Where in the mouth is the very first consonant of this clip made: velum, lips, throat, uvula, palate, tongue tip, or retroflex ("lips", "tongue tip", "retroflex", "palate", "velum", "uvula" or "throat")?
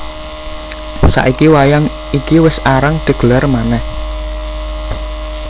tongue tip